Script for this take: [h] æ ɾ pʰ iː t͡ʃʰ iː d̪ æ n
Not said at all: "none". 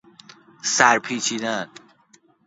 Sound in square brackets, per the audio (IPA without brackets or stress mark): s